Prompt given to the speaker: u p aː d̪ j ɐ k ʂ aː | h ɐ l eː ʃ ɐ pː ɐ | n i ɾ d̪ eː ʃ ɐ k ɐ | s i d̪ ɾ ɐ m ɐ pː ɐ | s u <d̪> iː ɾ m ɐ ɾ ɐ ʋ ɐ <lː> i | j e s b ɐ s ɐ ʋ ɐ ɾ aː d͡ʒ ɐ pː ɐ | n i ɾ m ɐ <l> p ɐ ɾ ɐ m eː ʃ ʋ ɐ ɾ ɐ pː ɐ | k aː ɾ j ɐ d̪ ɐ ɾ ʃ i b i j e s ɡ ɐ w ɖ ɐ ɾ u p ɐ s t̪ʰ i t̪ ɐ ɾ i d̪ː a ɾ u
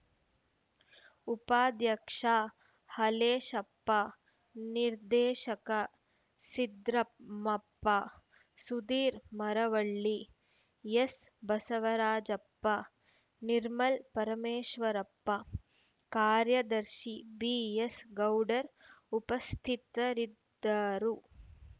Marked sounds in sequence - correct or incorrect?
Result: correct, incorrect: ɭː, correct

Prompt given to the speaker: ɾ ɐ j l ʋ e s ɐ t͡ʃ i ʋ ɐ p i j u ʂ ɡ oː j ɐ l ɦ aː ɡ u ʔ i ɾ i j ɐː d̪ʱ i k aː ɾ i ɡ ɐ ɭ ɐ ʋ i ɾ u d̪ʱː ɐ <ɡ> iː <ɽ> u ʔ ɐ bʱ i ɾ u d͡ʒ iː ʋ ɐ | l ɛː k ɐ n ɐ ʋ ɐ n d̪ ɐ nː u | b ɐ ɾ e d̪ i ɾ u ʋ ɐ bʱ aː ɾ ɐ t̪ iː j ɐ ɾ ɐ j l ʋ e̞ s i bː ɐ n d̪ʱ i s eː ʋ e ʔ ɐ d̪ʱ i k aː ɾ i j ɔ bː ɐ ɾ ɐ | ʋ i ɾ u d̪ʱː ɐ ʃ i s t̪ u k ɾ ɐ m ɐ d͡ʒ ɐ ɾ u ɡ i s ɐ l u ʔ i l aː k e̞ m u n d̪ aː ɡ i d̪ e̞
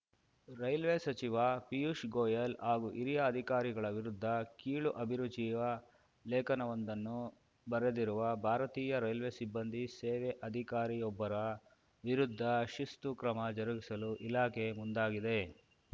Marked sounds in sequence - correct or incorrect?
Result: incorrect: k, incorrect: ɭ

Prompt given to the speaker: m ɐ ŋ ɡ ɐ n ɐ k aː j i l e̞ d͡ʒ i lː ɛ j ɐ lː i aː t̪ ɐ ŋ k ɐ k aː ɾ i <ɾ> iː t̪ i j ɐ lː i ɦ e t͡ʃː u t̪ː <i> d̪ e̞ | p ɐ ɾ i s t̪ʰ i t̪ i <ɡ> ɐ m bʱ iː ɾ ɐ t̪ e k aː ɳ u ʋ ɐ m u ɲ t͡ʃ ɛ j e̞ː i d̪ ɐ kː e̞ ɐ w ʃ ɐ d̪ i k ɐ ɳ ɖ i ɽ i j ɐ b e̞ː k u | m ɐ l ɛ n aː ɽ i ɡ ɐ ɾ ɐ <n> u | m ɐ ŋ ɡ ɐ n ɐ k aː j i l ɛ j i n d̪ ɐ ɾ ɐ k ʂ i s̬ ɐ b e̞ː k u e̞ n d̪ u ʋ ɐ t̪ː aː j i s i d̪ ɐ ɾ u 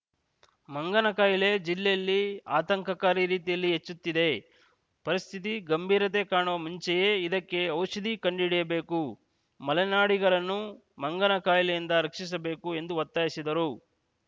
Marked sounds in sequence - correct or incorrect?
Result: correct, correct, correct, incorrect: nː

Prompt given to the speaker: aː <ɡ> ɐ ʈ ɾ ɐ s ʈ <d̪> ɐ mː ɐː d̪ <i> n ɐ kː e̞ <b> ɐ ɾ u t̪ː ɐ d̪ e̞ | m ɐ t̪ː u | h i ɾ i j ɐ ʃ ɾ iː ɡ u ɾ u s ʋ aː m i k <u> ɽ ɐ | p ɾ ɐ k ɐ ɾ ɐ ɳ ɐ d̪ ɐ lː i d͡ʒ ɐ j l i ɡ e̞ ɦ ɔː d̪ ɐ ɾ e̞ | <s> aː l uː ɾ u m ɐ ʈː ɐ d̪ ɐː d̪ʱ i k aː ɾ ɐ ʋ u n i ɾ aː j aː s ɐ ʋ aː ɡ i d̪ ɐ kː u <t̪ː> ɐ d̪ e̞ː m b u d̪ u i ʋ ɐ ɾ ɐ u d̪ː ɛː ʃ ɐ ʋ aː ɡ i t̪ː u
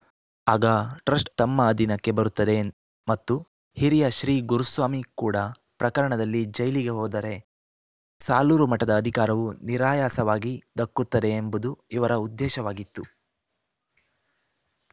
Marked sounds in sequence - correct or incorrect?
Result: correct, incorrect: t̪, correct, correct, incorrect: uː, correct, correct

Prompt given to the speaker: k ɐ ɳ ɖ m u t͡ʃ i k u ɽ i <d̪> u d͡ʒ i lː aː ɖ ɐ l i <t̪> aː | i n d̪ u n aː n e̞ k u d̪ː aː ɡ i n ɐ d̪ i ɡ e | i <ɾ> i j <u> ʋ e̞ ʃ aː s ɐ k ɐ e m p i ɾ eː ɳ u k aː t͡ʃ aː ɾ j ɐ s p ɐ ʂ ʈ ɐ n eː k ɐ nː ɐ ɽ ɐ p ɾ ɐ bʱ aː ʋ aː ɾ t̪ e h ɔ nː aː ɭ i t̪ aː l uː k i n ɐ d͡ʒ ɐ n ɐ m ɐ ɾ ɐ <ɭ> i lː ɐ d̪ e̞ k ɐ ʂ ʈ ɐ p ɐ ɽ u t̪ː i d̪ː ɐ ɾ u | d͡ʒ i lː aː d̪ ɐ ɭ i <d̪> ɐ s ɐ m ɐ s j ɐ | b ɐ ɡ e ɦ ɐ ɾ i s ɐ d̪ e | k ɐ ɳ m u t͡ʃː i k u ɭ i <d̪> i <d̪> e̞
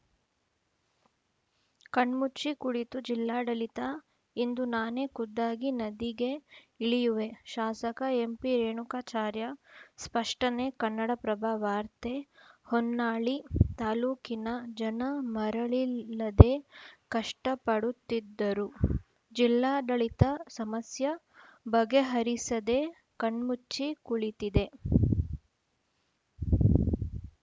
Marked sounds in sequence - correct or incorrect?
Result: incorrect: t̪, correct, incorrect: ɭ, correct, correct, incorrect: t̪, incorrect: t̪, correct

